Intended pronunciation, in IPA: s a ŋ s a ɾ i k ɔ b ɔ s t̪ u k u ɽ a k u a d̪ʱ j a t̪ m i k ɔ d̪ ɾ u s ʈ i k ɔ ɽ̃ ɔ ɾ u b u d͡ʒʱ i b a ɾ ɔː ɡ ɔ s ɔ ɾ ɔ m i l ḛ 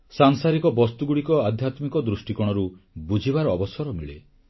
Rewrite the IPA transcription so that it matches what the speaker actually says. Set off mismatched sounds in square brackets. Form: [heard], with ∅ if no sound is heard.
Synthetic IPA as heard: s a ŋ s a ɾ i k ɔ b ɔ s t̪ u [ɡ] u ɽ [i] k [ɔ] a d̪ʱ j a t̪ m i k ɔ d̪ ɾ u s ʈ i k ɔ ɽ̃ ɔ ɾ u b u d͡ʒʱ i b a ɾ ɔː [b] ɔ s ɔ ɾ ɔ m i [ɭ] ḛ